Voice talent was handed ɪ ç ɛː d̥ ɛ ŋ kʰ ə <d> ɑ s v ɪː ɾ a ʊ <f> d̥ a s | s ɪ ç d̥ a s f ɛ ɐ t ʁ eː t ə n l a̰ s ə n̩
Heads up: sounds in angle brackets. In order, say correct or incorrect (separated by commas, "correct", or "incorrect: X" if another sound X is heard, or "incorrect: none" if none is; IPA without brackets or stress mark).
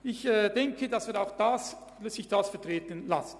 correct, incorrect: x